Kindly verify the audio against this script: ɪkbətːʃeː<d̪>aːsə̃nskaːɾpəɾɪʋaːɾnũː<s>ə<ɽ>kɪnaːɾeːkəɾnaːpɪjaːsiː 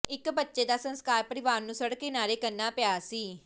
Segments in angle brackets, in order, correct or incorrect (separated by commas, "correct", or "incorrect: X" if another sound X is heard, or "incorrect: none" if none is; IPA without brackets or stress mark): correct, correct, correct